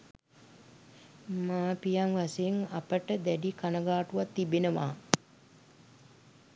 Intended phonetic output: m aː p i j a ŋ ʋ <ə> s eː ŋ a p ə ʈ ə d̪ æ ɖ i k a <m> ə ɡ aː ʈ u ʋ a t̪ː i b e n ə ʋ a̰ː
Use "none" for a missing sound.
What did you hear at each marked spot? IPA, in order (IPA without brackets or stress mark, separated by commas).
a, n